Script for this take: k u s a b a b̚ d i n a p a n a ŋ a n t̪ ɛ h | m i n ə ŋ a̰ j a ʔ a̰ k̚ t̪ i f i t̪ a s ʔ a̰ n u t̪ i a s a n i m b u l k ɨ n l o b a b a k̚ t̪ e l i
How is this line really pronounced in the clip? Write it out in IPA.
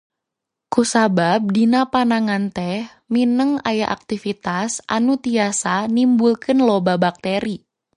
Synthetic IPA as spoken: k u s a b a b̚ d i n a p a n a ŋ a n t̪ ɛ h | m i n ə ŋ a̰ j a ʔ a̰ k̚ t̪ i f i t̪ a s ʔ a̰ n u t̪ i a s a n i m b u l k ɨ n l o b a b a k̚ t̪ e ɾ i